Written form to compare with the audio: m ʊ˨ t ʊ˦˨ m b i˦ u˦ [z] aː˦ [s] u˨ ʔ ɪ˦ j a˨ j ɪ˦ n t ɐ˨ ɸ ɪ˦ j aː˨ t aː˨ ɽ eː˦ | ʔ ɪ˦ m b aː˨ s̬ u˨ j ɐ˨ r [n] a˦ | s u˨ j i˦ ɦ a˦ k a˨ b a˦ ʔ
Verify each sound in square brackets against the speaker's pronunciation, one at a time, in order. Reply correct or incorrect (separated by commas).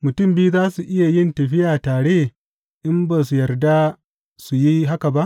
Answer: correct, correct, incorrect